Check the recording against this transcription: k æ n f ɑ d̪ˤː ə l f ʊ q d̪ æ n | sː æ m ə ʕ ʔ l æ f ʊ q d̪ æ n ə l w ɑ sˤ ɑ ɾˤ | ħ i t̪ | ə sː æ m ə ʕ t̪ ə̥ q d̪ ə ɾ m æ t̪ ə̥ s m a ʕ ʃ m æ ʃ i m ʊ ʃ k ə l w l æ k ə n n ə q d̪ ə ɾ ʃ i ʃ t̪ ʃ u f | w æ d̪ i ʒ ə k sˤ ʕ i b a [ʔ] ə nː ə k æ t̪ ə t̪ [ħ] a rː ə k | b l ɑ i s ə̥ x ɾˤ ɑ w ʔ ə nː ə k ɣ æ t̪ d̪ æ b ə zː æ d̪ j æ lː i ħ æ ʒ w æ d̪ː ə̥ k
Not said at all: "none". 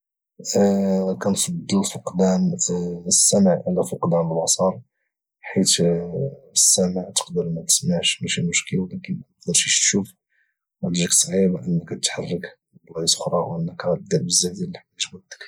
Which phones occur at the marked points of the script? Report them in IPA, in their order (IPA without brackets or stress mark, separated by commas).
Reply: ʔ, ħ